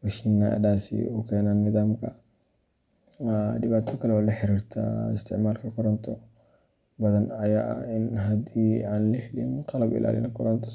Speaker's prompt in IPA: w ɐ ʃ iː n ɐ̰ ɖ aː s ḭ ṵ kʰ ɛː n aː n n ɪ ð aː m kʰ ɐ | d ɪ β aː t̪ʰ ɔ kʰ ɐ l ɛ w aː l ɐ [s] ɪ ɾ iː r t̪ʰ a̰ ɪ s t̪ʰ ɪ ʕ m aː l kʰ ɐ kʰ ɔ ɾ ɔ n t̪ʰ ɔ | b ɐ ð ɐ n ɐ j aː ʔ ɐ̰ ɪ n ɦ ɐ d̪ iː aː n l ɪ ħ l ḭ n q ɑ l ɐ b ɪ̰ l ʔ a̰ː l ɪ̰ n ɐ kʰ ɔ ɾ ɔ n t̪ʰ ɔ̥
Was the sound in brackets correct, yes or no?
no